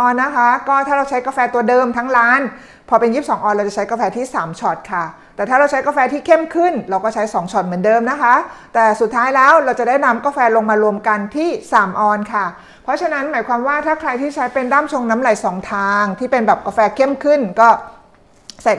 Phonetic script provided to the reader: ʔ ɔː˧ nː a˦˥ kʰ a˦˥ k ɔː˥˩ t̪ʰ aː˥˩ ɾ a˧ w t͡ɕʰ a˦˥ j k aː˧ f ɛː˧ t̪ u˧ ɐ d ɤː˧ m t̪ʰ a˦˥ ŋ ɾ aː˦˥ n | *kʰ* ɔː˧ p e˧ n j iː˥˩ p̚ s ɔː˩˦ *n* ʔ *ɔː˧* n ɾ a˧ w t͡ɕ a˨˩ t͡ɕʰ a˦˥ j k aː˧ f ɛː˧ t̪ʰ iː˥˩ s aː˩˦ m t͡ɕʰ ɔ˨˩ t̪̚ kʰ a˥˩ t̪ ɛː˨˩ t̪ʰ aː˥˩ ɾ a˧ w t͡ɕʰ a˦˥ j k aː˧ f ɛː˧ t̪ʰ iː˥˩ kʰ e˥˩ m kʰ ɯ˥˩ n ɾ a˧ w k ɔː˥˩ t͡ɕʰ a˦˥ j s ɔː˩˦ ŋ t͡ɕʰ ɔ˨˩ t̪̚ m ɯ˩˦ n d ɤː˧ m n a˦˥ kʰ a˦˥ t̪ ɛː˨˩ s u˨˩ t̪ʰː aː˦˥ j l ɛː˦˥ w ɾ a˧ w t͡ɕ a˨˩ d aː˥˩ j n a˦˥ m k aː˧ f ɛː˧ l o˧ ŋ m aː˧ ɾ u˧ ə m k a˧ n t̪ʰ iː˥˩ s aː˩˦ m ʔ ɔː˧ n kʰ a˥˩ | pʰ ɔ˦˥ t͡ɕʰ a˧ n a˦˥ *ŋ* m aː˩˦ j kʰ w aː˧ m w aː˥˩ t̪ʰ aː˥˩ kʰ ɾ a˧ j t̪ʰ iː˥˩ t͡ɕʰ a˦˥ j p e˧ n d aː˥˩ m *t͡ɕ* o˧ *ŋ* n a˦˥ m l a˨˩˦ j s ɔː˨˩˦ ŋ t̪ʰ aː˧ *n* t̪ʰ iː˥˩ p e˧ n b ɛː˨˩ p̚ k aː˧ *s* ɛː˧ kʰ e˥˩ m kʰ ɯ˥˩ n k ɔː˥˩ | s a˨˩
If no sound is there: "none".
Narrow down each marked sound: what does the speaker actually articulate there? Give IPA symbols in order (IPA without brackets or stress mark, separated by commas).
pʰ, ŋ, ɔː˧, n, t͡ɕʰ, ŋ, ŋ, f